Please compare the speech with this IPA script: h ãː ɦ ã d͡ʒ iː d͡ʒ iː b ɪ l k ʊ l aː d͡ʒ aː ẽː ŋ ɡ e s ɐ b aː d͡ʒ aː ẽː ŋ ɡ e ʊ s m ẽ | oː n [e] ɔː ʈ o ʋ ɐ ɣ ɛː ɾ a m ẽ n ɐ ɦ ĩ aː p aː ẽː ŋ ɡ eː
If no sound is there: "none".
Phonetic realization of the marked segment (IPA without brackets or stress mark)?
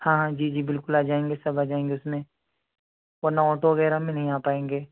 a